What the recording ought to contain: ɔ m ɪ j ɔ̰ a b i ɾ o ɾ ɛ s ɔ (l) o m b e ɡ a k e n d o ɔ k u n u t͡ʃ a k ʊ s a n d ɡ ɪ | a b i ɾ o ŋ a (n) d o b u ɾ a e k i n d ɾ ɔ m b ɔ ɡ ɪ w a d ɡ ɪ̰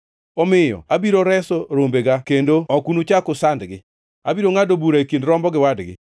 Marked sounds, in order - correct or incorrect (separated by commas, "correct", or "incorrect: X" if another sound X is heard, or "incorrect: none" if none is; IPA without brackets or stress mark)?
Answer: incorrect: ɾ, incorrect: none